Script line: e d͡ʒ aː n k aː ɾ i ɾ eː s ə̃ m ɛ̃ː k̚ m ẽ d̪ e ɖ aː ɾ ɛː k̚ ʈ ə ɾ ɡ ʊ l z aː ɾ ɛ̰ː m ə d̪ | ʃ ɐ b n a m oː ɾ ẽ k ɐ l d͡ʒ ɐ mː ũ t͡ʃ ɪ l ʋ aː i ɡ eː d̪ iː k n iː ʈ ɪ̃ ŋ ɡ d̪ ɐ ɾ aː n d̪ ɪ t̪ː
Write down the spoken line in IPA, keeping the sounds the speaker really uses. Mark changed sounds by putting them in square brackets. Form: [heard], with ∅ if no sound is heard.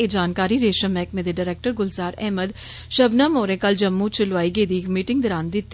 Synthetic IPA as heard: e d͡ʒ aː n k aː ɾ i ɾ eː [ʃ] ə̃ m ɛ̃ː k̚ m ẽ d̪ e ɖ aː ɾ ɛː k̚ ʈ ə ɾ ɡ ʊ l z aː ɾ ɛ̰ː m ə d̪ | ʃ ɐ b n a m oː ɾ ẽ k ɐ l d͡ʒ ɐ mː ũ t͡ʃ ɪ l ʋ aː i ɡ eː d̪ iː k [m] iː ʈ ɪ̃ ŋ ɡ d̪ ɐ ɾ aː n d̪ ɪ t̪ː